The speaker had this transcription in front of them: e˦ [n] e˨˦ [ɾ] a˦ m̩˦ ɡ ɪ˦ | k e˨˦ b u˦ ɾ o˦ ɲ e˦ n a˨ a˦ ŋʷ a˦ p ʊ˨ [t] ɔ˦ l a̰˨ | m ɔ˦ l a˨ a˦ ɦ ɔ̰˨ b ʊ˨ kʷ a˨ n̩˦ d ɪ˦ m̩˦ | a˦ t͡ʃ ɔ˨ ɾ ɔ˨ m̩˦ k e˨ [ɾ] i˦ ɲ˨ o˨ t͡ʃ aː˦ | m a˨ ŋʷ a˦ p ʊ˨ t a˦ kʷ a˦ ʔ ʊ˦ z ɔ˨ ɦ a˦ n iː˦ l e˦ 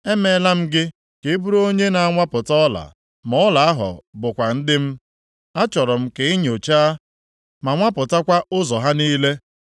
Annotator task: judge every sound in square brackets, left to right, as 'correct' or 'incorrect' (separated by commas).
incorrect, incorrect, correct, incorrect